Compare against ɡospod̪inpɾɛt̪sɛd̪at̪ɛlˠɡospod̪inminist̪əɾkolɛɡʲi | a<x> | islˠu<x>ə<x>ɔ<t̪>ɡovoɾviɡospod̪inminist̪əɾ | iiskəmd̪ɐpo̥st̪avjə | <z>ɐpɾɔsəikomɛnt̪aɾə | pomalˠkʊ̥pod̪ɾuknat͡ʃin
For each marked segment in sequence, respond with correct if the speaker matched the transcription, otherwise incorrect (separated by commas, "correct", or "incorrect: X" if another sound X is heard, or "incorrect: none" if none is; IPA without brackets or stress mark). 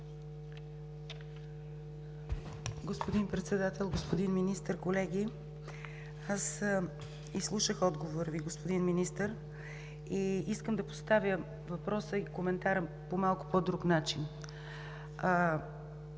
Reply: incorrect: s, incorrect: ʃ, correct, incorrect: d̪, incorrect: v